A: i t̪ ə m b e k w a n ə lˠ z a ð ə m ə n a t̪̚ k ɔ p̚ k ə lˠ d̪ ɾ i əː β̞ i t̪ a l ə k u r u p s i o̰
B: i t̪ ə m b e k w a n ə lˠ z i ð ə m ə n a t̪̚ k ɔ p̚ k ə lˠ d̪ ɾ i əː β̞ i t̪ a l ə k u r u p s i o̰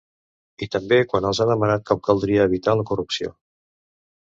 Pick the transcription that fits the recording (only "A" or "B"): A